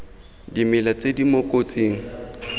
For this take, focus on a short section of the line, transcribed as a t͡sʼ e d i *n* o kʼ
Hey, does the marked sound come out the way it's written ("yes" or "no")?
no